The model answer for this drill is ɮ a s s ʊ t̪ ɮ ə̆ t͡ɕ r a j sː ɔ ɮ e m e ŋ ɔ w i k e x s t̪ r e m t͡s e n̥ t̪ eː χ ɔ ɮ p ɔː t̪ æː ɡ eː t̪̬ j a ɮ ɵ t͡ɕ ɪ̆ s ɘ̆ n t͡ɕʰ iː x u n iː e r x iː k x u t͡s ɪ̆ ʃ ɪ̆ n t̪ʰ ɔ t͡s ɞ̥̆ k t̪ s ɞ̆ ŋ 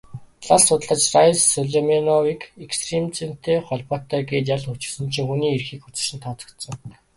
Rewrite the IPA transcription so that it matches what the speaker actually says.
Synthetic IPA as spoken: ɮ a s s ʊ t̪ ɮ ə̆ t͡ɕ r a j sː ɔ ɮ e m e n ɔ w i k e k s t̪ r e m t͡s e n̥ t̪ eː χ ɔ ɮ p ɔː t̪ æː ɡ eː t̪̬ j a ɮ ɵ t͡ɕ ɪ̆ s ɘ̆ n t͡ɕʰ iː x u n iː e r x iː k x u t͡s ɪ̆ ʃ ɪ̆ n t̪ʰ ɔ t͡s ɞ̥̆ k t̪ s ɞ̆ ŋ

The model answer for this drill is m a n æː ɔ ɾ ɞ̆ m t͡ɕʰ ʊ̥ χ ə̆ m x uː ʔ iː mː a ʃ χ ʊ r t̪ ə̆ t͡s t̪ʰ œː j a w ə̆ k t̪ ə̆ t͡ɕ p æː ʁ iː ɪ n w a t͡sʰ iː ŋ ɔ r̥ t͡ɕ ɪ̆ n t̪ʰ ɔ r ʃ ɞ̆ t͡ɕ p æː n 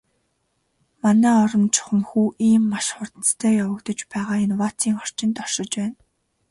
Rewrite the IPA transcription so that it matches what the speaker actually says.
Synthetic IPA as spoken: m a n æː ɔ ɾ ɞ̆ m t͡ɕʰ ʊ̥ χ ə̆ m x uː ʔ iː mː a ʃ χ ʊ r t̪ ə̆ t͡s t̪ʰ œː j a w ə̆ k t̪ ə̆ t͡ɕ p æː ʁ aː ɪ n w a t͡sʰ iː ŋ ɔ r̥ t͡ɕ ɪ̆ n t̪ ɔ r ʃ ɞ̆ t͡ɕ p æː n

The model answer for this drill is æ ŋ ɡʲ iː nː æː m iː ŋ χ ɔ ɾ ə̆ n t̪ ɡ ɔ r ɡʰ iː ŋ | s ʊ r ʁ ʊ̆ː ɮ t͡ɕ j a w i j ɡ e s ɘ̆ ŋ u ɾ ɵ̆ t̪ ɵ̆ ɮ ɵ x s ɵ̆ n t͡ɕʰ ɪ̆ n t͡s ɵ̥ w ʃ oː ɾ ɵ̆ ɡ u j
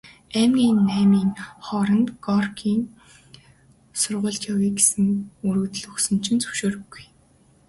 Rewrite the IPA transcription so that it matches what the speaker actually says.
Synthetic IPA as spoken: æ m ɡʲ iː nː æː m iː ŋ χ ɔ ɾ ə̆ n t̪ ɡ ɔ r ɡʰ iː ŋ | s ʊ r ʁ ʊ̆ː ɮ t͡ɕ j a w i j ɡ e s ɘ̆ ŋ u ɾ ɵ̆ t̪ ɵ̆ ɮ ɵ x s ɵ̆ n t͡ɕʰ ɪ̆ n t͡s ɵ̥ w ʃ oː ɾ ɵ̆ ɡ u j

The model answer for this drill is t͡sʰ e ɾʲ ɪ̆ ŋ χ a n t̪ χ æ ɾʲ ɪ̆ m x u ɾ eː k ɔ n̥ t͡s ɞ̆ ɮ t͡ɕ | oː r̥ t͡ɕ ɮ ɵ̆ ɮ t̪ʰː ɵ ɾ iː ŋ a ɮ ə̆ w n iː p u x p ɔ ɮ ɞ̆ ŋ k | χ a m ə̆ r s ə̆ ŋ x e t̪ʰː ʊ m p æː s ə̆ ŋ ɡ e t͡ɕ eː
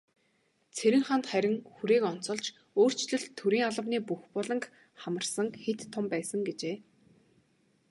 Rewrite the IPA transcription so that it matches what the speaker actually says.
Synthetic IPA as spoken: t͡sʰ e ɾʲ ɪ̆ ŋ χ a n t̪ χ æ ɾʲ ɪ̆ ŋ x u ɾ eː k ɔ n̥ t͡s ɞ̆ ɮ t͡ɕ | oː r̥ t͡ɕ ɮ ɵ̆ ɮ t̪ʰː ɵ ɾ iː ŋ a ɮ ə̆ w n iː p u x p ɔ ɮ ɞ̆ ŋ k | χ a m ə̆ r s ə̆ ŋ x e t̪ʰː ʊ m p æː s ə̆ ŋ ɡ e t͡ɕ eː

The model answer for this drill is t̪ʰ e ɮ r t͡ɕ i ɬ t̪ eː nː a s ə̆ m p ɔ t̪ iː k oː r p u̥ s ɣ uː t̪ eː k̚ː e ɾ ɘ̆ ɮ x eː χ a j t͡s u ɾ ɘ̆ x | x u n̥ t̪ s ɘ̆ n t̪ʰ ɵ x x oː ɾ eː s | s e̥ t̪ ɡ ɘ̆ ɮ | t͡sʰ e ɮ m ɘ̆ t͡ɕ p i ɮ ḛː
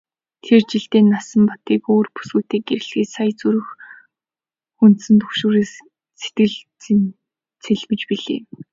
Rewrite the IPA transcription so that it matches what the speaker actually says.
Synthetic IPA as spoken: t̪ʰ e r t͡ɕ i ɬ t̪ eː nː a s ə̆ m p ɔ t̪ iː k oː r p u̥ s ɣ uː t̪ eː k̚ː e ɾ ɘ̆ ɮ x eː s a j t͡s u ɾ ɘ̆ x | x u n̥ t̪ s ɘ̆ n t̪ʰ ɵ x ʃ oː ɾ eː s | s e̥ t̪ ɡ ɘ̆ ɮ | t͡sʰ e ɮ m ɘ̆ t͡ɕ p i ɮ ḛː

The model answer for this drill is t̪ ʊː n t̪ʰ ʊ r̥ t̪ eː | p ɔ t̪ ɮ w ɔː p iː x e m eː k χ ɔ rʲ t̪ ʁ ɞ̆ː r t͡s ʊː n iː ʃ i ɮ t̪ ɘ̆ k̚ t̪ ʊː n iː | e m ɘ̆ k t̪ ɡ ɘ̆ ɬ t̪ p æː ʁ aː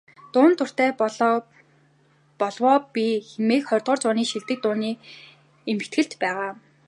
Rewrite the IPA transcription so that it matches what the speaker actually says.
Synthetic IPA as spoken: t̪ ʊː n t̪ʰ ʊ r̥ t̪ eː | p ɔ ɮ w ɔː p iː x e m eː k χ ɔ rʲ t̪ ʁ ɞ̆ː r t͡s ʊː n iː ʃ i ɮ t̪ ɘ̆ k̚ t̪ ʊː n iː | e m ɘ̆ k t̪ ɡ ɘ̆ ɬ t̪ p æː ʁ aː

